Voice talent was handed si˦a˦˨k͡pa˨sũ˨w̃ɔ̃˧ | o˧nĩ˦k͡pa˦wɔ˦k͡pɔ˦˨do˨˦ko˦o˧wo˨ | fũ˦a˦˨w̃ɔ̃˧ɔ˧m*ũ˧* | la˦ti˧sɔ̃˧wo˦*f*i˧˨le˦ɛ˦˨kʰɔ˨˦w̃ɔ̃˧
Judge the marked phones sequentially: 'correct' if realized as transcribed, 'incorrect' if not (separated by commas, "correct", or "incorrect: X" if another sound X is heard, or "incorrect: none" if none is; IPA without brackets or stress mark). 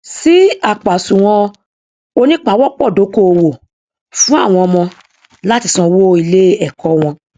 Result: incorrect: ɔ̃˧, incorrect: none